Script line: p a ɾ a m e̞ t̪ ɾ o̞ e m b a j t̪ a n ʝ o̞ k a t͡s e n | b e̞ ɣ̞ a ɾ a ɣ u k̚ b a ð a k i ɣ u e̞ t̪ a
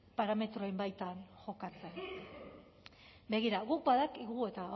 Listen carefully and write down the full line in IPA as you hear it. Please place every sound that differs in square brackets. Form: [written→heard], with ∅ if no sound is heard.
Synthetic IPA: p a ɾ a m e̞ t̪ ɾ o̞ e m b a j t̪ a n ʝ o̞ k a t͡s e n | b e̞ ɣ̞ [a→i] ɾ a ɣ u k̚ b a ð a k i ɣ u e̞ t̪ a